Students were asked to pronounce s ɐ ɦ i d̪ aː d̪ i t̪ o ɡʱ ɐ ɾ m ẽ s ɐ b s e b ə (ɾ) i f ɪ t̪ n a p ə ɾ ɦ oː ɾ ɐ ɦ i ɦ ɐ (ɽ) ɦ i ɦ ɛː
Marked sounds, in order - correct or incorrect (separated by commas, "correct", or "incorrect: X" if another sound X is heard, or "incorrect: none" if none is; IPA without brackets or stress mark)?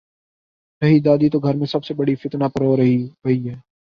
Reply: incorrect: ɽ, incorrect: none